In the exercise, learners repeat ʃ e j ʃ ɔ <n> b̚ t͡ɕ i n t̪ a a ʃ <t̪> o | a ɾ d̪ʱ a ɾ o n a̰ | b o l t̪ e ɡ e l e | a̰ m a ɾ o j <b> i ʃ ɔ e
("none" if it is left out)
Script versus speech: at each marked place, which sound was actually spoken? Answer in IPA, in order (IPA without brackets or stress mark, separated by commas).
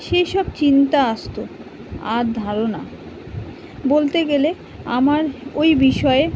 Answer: none, t̪, b